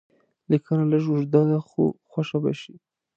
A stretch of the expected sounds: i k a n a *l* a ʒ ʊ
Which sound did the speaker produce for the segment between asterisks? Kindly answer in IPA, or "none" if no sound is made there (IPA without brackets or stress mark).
l